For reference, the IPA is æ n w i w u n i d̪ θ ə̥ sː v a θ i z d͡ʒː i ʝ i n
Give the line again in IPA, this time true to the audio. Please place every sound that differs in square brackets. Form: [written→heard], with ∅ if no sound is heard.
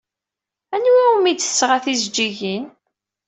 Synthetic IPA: æ n w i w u [n→m] i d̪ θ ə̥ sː [v→ʁ] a θ i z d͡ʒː i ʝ i n